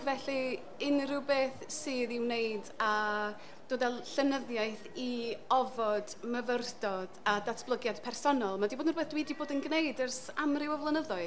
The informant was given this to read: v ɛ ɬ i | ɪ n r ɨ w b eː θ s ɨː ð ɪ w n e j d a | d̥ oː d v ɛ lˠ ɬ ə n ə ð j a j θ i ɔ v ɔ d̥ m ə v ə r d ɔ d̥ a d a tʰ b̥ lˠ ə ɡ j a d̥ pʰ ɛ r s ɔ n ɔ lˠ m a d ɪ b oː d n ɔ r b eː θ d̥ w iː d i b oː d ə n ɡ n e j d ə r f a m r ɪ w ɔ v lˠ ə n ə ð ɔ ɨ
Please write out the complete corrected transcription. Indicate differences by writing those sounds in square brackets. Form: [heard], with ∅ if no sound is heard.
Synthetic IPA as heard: v ɛ ɬ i | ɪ n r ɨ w b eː θ s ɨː ð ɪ w n e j d a | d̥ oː d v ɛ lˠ ɬ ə n ə ð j a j θ i ɔ v ɔ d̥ m ə v ə r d ɔ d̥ a d a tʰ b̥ lˠ ə ɡ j a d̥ pʰ ɛ r s ɔ n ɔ lˠ m a d [i] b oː d n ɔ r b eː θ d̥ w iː d i b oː d ə n ɡ n e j d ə r [s] a m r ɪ w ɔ v lˠ ə n ə ð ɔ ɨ